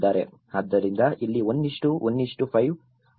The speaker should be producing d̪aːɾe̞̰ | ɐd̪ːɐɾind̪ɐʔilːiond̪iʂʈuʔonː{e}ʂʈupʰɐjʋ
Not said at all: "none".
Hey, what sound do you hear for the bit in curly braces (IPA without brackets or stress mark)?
i